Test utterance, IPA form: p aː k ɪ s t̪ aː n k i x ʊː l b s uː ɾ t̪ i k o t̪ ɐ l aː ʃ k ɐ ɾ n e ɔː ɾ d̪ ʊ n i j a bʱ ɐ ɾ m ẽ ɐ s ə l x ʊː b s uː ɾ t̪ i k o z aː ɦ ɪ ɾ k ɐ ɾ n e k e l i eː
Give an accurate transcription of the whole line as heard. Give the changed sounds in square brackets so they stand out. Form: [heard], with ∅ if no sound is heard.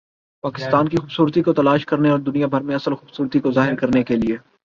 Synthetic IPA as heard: p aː k ɪ s t̪ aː n k i x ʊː [∅] b s uː ɾ t̪ i k o t̪ ɐ l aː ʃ k ɐ ɾ n e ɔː ɾ d̪ ʊ n i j a bʱ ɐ ɾ m ẽ ɐ s ə l x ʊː b s uː ɾ t̪ i k o z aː ɦ ɪ ɾ k ɐ ɾ n e k e l i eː